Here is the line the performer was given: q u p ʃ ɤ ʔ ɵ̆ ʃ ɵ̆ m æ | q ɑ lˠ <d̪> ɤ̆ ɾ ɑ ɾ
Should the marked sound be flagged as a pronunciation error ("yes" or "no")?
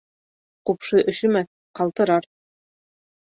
yes